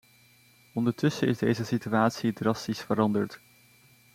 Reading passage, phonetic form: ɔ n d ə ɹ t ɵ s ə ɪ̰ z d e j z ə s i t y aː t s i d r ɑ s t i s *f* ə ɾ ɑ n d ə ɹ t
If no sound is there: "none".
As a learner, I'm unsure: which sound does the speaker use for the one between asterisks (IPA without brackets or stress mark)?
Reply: f